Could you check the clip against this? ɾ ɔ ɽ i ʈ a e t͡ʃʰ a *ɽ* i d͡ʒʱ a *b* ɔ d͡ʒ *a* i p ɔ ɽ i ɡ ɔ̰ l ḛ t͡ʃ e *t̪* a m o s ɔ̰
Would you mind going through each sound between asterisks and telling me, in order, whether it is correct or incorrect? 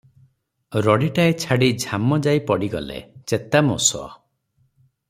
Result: correct, incorrect: m, correct, correct

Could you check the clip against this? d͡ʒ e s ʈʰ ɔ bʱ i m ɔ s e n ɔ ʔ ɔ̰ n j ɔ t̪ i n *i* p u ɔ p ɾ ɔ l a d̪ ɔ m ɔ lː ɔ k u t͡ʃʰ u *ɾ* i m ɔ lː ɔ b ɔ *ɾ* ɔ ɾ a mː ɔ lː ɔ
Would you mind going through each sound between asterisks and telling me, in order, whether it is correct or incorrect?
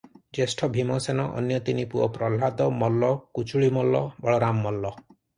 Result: correct, incorrect: ɭ, incorrect: ɭ

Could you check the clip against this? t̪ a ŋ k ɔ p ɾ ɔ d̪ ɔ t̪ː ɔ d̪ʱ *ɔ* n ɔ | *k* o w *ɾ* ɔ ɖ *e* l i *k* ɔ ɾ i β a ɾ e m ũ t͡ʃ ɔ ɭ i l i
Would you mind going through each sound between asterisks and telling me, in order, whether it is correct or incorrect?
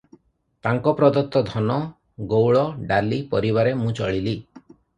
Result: correct, incorrect: ɡ, incorrect: ɭ, incorrect: a, incorrect: p

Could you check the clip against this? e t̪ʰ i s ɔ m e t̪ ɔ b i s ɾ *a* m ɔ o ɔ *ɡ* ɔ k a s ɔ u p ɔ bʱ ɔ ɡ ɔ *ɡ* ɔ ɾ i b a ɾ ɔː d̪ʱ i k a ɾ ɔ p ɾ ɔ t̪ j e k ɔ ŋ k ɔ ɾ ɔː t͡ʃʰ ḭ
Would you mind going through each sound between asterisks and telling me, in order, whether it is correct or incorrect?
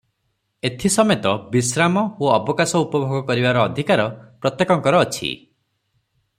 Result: correct, incorrect: b, incorrect: k

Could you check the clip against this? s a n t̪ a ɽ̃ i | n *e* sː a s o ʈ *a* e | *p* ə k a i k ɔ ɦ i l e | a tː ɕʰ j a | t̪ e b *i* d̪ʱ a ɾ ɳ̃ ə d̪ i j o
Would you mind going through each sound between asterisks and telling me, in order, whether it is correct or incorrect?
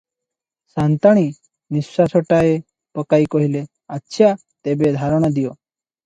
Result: incorrect: i, correct, correct, incorrect: e

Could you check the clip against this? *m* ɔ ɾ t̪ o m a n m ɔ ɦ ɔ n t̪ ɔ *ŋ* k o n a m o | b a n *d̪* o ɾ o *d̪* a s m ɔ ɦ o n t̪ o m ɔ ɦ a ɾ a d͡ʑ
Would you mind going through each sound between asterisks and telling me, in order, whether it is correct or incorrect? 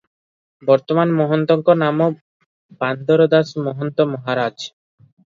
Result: incorrect: b, correct, correct, correct

